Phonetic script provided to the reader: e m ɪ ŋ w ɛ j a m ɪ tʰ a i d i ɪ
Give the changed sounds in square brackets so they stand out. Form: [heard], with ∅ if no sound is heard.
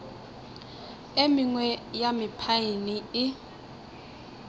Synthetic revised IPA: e m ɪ ŋ w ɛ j a m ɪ [pʰ] a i [n] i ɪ